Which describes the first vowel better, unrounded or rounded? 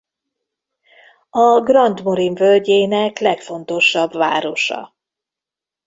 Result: rounded